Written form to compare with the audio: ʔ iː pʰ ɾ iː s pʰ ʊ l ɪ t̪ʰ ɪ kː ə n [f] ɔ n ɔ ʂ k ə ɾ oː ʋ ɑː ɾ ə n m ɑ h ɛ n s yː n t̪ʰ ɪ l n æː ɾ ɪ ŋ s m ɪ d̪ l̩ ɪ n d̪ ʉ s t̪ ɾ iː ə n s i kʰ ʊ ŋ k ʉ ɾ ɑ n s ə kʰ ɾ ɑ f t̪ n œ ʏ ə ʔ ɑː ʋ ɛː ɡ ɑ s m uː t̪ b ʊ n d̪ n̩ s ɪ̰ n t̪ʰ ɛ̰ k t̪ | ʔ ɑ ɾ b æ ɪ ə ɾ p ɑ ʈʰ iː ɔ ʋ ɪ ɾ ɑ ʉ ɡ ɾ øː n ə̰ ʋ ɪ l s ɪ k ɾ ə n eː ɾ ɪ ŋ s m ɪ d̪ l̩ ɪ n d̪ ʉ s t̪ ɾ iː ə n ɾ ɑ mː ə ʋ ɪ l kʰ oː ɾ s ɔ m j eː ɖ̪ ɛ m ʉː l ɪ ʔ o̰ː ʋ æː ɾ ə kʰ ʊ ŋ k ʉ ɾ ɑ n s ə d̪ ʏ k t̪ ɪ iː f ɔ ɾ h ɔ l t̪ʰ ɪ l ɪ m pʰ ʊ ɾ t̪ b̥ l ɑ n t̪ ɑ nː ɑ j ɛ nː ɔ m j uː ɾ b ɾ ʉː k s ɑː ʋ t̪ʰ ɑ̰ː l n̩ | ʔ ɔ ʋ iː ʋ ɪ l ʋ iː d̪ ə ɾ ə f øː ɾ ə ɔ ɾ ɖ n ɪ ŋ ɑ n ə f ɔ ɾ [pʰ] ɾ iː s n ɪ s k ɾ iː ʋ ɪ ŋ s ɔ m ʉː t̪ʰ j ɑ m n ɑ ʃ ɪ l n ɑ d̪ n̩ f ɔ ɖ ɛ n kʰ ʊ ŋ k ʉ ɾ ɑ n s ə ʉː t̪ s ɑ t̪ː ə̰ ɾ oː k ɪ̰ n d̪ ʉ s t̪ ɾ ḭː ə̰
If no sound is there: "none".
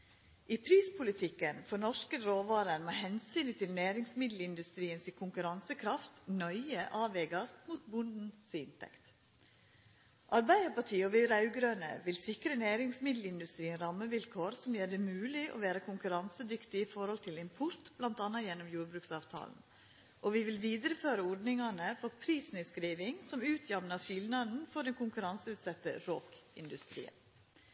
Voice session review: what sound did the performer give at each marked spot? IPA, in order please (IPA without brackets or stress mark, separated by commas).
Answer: f, pʰ